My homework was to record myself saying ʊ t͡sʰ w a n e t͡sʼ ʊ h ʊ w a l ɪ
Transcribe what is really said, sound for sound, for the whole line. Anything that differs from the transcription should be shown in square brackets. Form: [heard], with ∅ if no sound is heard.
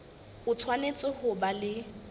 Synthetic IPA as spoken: ʊ t͡sʰ w a n e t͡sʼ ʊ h ʊ [b] a l ɪ